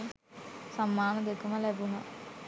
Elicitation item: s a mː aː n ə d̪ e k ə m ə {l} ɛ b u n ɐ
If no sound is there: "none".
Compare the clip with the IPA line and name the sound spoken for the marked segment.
l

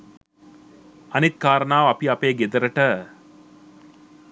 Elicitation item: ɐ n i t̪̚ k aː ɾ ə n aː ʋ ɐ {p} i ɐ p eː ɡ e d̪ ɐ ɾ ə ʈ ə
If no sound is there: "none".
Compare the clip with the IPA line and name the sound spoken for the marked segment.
p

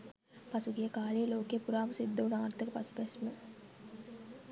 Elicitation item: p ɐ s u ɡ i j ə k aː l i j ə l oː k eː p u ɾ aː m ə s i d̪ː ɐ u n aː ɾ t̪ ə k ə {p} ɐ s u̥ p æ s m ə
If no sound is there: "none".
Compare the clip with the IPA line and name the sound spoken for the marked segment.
p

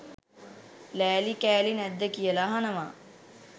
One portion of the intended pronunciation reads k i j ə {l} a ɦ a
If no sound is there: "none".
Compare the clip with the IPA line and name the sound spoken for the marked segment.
l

